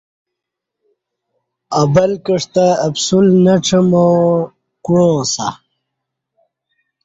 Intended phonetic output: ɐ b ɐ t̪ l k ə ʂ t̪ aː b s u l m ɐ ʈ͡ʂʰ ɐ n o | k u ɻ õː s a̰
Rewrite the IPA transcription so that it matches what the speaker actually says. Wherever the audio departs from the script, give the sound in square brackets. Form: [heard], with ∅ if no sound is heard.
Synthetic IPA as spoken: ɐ b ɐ [∅] l k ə ʂ t̪ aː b s u l [n] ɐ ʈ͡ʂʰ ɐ [m] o | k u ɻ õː s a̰